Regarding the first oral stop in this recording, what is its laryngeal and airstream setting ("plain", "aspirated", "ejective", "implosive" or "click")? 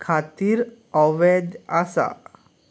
aspirated